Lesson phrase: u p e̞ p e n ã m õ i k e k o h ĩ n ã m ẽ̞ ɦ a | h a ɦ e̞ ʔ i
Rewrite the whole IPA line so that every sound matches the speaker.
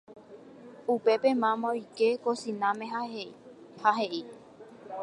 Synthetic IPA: u p e̞ p e m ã m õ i k e k o s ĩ n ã m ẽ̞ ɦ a | h a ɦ e̞ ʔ i